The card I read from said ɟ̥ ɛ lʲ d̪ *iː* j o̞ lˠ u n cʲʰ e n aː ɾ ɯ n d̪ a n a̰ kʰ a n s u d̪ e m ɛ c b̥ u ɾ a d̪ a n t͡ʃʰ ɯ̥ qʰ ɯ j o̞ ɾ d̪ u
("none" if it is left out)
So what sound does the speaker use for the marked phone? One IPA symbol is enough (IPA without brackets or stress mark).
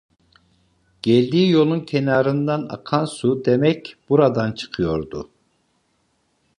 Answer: iː